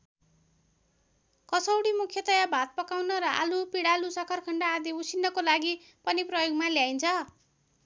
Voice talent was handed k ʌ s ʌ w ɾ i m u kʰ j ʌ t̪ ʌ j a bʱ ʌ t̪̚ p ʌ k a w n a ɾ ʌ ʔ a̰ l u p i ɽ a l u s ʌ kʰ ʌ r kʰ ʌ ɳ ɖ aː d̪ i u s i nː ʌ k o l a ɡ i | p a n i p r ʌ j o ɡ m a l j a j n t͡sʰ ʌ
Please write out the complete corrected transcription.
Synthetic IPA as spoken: k ʌ s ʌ w ɽ i m u kʰ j ʌ t̪ ʌ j a bʱ a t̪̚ p ʌ k a w n ʌ ɾ ʌ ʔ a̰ l u p i ɽ a l u s ʌ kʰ ʌ r kʰ ʌ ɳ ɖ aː d̪ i u s i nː ʌ k o l a ɡ i | p ʌ n i p r ʌ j o ɡ m a l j a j n t͡sʰ ʌ